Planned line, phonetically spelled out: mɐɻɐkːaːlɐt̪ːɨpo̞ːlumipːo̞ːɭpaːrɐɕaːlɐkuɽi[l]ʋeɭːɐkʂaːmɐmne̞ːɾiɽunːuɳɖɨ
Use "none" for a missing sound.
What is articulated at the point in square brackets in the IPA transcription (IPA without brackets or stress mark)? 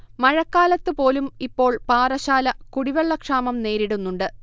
none